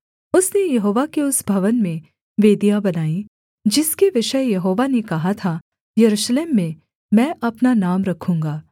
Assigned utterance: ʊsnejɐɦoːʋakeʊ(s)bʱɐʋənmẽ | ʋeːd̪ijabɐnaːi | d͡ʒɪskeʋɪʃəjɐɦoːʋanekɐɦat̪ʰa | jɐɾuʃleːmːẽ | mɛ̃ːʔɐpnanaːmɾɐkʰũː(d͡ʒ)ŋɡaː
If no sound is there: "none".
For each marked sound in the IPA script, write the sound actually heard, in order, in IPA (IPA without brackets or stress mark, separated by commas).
s, none